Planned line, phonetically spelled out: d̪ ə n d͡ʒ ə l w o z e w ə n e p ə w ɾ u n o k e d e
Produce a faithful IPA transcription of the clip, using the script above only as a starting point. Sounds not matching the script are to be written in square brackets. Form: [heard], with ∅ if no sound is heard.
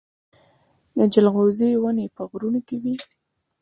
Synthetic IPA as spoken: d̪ ə [∅] d͡ʒ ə l [ɣ] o z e w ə n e p ə [ɣ] ɾ u n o k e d [i]